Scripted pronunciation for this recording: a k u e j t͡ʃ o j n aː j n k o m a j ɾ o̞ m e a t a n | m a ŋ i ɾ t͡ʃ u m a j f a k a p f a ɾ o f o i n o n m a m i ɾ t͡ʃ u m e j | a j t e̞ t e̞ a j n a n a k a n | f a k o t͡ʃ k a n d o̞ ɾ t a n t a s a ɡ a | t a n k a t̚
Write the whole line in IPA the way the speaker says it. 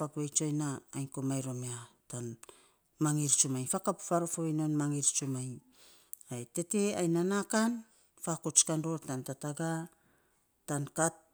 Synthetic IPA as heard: a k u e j t͡ʃ o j n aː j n k o m a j ɾ o̞ m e a t a n | m a ŋ i ɾ t͡ʃ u m a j f a k a p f a ɾ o f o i n o n m a ŋ i ɾ t͡ʃ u m a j | a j t e̞ t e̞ a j n a n a k a n | f a k o t͡ʃ k a n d o̞ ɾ t a n t a t a ɡ a | t a n k a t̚